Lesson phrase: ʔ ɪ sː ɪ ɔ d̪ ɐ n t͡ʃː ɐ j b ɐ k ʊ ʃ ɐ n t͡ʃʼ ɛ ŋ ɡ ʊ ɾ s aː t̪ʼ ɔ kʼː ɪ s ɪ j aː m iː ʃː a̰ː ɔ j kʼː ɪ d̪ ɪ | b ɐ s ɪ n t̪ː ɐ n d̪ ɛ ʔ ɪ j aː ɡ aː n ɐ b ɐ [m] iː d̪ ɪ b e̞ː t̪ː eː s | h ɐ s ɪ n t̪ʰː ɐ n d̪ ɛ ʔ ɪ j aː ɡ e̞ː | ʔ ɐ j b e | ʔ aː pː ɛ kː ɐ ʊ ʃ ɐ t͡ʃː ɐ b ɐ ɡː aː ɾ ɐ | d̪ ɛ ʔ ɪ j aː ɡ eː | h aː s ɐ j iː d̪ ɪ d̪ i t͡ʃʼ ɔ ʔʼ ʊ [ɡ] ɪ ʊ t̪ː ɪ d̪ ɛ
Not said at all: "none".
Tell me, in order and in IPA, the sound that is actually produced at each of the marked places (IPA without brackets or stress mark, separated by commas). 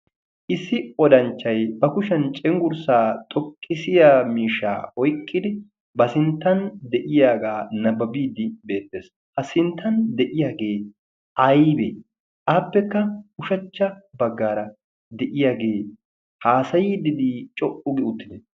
b, ɡ